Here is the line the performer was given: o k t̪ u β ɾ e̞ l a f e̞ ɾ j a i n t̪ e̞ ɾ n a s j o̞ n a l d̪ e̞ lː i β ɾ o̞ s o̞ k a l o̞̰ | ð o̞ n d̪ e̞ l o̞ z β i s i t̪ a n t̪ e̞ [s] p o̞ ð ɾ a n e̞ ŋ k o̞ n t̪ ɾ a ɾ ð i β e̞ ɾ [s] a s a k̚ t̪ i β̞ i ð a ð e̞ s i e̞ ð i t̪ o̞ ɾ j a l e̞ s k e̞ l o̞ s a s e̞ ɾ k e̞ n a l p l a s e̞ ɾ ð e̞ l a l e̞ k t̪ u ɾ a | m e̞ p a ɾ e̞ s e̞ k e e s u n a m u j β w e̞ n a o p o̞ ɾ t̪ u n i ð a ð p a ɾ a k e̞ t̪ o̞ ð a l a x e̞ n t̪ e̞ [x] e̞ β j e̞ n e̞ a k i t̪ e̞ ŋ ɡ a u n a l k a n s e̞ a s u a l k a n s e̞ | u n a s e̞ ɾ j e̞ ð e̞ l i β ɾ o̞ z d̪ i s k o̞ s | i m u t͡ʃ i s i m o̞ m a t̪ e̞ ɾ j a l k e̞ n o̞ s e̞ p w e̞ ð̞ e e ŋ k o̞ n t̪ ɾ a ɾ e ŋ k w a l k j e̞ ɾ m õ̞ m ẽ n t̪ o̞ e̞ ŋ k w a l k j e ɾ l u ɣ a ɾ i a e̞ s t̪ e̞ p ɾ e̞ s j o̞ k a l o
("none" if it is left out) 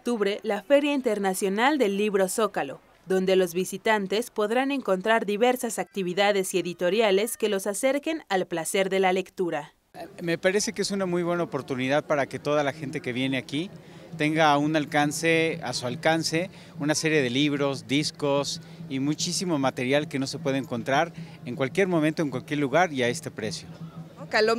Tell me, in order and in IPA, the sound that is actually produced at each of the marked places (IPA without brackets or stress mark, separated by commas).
s, s, k